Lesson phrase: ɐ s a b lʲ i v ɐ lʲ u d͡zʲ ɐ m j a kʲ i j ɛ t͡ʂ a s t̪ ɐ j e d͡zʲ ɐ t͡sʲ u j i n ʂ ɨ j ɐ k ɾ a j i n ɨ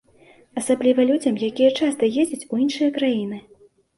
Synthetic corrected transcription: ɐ s a b lʲ i v ɐ lʲ u d͡zʲ ɐ m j a kʲ i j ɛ t͡ʂ a s t̪ ɐ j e d͡zʲ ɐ t͡sʲ u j i n ʂ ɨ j ɐ k ɾ a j i n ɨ